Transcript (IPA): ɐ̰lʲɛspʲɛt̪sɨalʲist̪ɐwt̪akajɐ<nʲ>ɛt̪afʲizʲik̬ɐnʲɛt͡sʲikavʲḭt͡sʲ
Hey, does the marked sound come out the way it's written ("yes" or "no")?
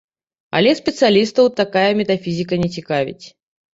no